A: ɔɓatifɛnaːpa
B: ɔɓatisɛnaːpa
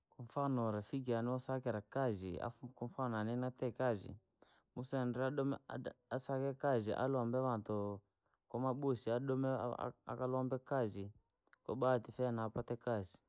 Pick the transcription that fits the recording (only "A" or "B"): A